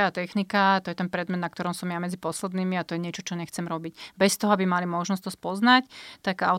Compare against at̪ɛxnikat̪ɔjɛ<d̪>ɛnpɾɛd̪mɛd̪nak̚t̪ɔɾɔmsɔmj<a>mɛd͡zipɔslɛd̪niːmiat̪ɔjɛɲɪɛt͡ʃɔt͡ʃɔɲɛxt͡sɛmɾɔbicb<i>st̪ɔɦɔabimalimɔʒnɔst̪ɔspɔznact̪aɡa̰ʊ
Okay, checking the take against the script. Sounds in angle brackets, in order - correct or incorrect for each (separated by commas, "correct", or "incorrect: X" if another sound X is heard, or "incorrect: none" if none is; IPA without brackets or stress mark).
incorrect: t̪, correct, incorrect: ɛ